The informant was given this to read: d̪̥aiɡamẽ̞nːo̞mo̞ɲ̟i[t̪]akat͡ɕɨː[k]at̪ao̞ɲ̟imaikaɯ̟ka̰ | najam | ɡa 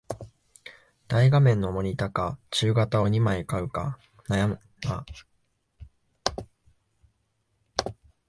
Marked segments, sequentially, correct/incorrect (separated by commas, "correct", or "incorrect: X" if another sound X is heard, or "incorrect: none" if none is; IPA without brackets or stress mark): correct, incorrect: ɡ